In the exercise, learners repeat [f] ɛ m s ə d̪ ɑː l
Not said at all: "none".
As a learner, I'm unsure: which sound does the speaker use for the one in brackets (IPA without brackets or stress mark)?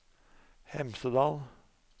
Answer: h